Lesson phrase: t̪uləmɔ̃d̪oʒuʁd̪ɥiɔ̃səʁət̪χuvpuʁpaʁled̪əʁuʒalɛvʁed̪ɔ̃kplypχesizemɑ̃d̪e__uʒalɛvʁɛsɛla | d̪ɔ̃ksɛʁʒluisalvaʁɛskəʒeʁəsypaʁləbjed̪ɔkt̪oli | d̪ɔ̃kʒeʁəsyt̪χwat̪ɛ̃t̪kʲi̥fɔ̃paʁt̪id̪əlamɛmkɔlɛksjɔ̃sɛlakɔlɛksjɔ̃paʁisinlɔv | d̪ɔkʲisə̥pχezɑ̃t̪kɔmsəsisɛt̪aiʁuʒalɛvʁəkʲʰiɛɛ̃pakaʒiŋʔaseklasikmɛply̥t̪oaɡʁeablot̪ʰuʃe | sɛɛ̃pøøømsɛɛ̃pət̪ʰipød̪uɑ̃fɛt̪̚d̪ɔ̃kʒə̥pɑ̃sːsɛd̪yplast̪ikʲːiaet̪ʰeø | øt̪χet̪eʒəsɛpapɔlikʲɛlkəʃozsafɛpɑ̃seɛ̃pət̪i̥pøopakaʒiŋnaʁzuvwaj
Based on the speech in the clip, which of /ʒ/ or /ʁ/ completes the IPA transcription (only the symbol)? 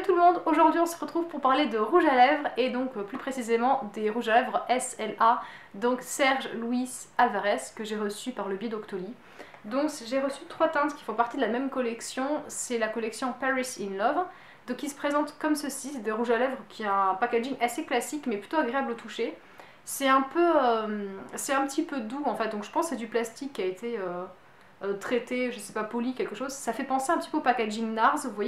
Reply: ʁ